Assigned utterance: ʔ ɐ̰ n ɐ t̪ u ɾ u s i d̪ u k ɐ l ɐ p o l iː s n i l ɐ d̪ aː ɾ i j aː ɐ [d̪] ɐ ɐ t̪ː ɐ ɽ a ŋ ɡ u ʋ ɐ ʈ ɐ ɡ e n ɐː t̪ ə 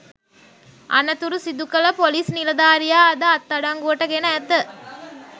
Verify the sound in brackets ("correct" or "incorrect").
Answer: correct